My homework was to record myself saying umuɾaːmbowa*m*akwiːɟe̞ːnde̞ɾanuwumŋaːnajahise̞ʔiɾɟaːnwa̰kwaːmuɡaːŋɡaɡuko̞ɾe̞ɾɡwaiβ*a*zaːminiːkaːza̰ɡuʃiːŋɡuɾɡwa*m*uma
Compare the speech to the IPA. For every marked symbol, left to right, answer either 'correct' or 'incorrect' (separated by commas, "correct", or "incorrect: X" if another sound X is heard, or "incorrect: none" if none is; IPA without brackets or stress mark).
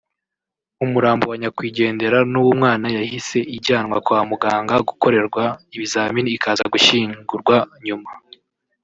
incorrect: ɲ, incorrect: i, incorrect: ɲ